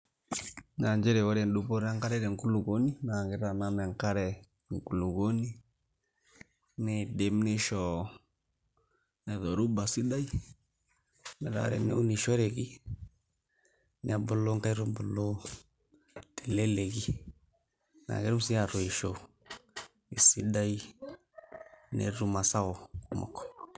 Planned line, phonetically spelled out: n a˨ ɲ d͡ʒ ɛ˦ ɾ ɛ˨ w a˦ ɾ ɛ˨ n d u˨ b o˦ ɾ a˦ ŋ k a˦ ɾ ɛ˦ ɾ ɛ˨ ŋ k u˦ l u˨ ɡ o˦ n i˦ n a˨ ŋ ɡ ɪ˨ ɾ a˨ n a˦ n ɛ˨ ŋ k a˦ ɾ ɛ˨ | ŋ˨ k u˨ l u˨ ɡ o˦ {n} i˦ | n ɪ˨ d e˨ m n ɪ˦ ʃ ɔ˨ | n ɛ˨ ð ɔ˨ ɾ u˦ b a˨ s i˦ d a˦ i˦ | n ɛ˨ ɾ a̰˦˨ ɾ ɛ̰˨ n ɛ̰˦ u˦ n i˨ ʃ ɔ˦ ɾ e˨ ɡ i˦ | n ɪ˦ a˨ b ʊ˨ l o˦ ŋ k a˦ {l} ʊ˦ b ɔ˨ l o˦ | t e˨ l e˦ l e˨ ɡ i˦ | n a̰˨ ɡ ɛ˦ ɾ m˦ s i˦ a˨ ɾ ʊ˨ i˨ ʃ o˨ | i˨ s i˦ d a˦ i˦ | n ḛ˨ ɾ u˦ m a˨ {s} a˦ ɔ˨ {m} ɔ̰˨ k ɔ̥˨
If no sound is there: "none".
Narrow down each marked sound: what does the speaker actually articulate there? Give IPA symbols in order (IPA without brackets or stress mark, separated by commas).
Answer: n, ɾ, s, m